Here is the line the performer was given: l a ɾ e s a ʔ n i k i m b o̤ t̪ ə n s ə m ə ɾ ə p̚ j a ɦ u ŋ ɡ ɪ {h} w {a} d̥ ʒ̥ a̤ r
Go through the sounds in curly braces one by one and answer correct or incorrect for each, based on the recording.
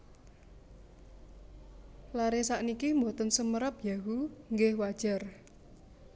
correct, correct

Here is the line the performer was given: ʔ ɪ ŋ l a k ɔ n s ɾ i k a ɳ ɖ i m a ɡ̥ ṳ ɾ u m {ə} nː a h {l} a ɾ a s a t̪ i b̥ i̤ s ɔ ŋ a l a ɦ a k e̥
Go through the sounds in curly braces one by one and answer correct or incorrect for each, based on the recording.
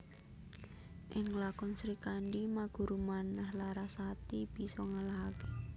incorrect, correct

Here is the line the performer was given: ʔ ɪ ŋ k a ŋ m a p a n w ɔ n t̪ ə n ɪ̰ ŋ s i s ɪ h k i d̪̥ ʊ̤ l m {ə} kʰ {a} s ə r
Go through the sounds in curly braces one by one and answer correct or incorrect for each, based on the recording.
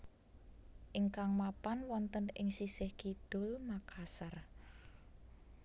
incorrect, correct

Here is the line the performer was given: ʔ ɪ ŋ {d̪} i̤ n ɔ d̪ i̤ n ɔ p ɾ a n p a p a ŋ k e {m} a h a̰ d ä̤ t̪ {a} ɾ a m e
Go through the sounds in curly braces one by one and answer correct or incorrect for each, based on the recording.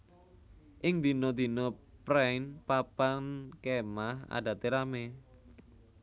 correct, correct, incorrect

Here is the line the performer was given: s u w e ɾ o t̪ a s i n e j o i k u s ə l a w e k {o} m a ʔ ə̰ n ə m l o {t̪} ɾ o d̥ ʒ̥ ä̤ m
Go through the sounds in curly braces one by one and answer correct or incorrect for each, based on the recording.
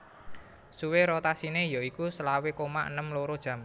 correct, incorrect

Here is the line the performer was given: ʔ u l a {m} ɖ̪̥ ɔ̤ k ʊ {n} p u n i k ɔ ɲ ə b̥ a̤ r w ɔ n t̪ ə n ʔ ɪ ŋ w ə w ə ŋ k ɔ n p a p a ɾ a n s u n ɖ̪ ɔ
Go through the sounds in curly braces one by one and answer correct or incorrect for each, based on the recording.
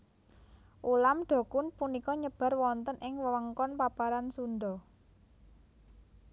correct, correct

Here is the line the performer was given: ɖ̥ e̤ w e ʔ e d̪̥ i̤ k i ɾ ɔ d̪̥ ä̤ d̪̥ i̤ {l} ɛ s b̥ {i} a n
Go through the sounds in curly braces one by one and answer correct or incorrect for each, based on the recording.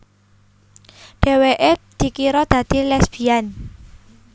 correct, correct

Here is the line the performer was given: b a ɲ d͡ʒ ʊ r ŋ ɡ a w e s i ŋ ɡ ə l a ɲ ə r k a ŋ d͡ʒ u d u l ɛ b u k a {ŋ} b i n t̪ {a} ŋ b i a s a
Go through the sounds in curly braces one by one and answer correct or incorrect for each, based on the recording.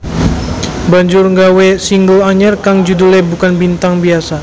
incorrect, correct

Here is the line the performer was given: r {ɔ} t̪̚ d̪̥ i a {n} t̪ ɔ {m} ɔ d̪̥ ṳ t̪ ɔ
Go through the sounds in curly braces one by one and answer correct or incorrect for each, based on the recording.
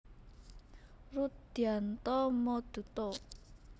incorrect, correct, correct

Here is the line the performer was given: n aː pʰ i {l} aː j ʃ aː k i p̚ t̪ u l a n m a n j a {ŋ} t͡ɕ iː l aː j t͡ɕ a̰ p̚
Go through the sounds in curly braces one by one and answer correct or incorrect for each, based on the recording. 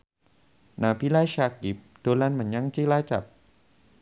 correct, correct

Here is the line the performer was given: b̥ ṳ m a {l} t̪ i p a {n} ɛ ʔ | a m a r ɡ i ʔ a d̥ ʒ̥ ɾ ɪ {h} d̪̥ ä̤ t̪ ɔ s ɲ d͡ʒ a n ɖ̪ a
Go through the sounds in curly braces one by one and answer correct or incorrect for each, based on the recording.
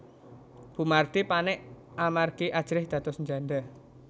incorrect, correct, correct

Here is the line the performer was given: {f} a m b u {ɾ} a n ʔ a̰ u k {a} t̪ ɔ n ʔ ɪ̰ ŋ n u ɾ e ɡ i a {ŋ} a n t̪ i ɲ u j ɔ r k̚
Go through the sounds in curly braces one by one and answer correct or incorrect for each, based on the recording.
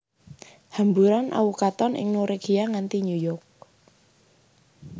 incorrect, correct, correct, correct

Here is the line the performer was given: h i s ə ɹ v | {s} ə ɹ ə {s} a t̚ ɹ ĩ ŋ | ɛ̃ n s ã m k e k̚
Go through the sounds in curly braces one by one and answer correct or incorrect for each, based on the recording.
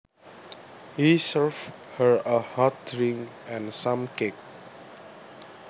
incorrect, incorrect

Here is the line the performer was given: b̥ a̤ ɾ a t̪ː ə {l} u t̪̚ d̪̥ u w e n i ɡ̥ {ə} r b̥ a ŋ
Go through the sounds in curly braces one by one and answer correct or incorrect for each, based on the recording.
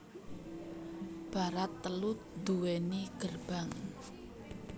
correct, correct

